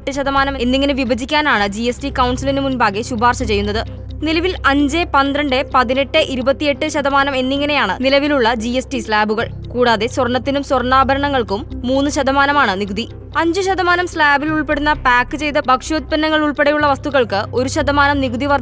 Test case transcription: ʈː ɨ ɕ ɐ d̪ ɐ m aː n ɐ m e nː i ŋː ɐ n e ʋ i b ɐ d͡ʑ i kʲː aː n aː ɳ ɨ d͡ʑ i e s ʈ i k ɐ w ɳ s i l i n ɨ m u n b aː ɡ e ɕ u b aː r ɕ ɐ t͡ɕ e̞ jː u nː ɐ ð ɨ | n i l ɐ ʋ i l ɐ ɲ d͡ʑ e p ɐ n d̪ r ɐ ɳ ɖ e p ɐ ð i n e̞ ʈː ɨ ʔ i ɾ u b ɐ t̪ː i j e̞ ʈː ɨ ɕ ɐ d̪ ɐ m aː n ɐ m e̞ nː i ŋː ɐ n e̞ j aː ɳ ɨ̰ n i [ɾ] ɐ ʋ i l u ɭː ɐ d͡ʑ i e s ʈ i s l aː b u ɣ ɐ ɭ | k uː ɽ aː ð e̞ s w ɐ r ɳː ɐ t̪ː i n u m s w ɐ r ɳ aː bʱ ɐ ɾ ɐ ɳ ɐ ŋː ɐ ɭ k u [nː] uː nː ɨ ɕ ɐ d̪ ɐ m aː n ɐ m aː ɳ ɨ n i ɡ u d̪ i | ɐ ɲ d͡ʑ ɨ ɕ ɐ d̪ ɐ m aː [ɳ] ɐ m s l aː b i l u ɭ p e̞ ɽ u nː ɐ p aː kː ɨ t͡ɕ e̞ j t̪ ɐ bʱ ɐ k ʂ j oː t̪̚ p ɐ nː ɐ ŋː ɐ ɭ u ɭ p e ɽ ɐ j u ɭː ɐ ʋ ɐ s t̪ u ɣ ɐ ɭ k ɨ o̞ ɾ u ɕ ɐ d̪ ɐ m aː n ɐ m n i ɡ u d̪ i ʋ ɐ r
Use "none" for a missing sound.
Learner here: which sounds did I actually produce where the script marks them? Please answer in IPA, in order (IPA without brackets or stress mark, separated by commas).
l, mː, n